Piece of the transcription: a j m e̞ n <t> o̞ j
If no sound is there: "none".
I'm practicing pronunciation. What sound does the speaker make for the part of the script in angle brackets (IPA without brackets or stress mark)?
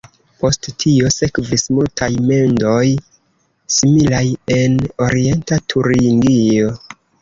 d